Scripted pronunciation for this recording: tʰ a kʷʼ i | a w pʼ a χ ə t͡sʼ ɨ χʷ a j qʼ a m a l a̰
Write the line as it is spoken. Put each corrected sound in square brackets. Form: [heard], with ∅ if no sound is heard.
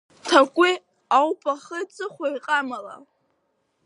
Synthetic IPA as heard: tʰ a kʷʼ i | a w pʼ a χ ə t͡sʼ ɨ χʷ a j qʼ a m a l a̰